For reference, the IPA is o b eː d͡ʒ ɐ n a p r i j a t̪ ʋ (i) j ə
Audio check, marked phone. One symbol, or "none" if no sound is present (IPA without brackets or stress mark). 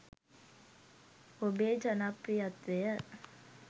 e